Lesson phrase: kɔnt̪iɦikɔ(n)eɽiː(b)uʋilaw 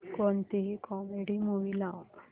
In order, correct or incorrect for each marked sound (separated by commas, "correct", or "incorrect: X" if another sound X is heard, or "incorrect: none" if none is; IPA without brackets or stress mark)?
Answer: incorrect: m, incorrect: m